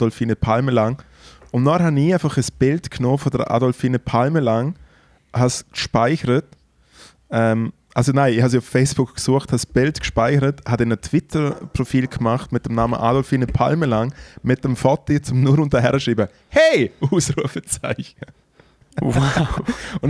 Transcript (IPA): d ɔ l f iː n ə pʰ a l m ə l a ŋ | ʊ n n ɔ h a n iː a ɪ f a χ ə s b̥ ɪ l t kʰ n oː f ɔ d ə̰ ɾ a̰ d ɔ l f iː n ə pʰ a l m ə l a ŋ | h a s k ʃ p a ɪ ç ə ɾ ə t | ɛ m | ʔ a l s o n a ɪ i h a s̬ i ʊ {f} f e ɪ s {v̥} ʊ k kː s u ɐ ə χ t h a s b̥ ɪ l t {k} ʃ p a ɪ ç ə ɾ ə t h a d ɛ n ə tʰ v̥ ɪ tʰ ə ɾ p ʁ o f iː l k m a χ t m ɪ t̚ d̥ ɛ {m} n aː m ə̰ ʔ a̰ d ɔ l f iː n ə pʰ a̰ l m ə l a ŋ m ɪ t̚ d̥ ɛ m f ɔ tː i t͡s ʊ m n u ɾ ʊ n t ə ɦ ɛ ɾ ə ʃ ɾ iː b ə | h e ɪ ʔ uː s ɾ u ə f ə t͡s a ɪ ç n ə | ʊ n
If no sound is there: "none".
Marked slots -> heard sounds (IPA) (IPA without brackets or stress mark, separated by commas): f, b̥, k, m